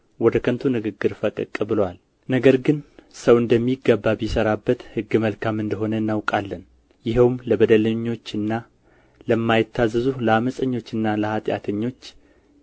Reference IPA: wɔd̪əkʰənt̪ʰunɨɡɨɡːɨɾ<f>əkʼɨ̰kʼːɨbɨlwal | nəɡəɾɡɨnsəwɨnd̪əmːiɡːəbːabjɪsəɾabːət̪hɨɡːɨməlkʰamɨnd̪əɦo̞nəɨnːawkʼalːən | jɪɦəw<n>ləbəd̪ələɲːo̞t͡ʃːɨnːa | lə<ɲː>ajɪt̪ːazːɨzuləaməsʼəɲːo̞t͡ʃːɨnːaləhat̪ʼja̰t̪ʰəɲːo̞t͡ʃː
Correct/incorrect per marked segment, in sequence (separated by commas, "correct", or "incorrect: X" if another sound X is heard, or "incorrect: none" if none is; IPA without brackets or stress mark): correct, incorrect: m, incorrect: mː